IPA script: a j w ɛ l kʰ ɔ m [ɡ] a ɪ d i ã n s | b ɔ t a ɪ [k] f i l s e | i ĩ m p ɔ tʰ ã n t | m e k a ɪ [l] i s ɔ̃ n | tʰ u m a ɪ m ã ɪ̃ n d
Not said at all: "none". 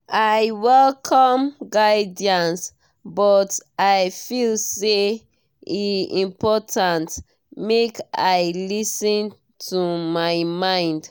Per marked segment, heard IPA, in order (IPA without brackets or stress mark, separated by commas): ɡ, none, l